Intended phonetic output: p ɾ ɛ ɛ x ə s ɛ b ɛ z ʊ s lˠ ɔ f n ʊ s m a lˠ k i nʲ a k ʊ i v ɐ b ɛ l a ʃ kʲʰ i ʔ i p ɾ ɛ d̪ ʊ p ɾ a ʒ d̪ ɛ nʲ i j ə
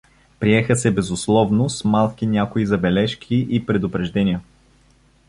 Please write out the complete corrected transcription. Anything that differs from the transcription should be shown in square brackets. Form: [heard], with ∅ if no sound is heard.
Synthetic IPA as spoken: p ɾ [i] ɛ x ə s ɛ b ɛ z ʊ s lˠ ɔ [v] n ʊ s m a lˠ k i nʲ a k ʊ i [z] ɐ b ɛ l [ɛ] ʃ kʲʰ i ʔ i p ɾ ɛ d̪ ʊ p ɾ [ɛ] ʒ d̪ ɛ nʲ i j ə

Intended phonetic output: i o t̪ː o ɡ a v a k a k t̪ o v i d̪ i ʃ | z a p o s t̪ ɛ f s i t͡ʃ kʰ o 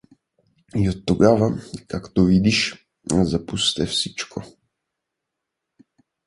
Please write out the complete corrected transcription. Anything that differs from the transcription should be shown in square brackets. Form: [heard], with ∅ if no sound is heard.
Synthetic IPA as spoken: i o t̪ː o ɡ a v a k a k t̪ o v i d̪ i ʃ | z a p [u] s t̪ ɛ f s i t͡ʃ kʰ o

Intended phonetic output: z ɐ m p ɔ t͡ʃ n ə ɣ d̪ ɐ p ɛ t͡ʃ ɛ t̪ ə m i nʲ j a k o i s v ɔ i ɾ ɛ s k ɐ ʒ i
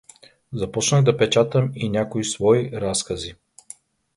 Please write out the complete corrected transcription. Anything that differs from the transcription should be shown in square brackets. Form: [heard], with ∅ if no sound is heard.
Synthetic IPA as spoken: z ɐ [∅] p ɔ t͡ʃ n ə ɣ d̪ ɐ p ɛ t͡ʃ [a] t̪ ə m i nʲ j a k o i s v ɔ i ɾ [a] s k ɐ [z] i

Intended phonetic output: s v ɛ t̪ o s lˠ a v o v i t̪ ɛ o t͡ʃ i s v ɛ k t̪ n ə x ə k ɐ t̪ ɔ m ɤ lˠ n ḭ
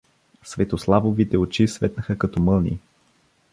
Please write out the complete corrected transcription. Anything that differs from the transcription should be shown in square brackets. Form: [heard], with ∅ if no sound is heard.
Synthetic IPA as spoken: s v ɛ t̪ o s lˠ a v o v i t̪ ɛ o t͡ʃ i s v ɛ [∅] t̪ n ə x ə k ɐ t̪ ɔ m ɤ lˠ n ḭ

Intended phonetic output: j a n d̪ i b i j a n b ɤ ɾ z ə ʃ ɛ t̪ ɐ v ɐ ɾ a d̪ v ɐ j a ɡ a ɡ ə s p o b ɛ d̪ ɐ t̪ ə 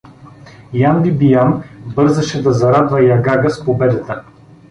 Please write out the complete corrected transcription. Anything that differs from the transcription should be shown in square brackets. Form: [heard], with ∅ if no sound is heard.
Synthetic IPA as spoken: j a n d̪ i b i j a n b ɤ ɾ z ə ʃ ɛ [d̪] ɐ [z] ɐ ɾ a d̪ v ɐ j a ɡ a ɡ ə s p o b ɛ d̪ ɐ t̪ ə

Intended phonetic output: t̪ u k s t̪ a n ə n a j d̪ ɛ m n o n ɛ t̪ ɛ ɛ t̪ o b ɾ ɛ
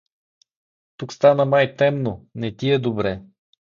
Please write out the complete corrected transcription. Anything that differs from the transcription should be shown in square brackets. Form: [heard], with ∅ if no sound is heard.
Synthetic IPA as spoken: t̪ u k s t̪ a n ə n a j [t̪] ɛ m n o n ɛ t̪ [i] ɛ [d̪] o b ɾ ɛ

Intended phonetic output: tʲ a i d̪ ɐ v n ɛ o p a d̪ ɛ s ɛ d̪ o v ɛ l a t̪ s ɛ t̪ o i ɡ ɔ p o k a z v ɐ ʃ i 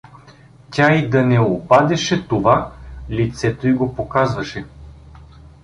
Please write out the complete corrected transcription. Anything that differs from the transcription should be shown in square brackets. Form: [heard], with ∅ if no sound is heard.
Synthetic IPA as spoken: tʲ a i d̪ ɐ [∅] n ɛ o p a d̪ ɛ [ʃ] ɛ [t̪] o v [a] l [i] t̪ s ɛ t̪ o i ɡ [o] p o k a z v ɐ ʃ [ɛ]

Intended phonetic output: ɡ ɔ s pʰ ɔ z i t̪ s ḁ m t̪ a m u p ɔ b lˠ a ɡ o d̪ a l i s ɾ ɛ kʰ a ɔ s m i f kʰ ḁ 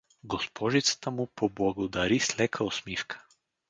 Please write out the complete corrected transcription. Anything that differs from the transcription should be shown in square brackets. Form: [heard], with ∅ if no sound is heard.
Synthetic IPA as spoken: ɡ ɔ s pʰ ɔ [ʒ] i t̪ s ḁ [∅] t̪ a m u p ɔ b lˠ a ɡ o d̪ a [ɾ] i s [l] ɛ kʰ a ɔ s m i f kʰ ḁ

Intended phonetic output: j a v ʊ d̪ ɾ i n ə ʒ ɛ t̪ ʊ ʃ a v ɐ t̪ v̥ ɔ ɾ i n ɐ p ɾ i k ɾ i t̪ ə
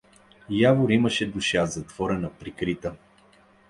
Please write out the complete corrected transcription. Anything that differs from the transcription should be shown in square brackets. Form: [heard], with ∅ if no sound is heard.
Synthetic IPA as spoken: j a v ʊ [∅] ɾ i [m] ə [ʃ] ɛ [d̪] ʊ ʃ a [z] ɐ t̪ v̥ ɔ ɾ [ɛ] n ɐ p ɾ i k ɾ i t̪ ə

